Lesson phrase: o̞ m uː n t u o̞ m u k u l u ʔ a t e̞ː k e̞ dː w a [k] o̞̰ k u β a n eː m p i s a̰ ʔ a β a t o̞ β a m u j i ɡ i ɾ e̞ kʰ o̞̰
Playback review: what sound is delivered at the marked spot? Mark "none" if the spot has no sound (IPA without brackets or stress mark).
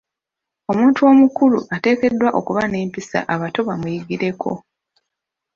ʔ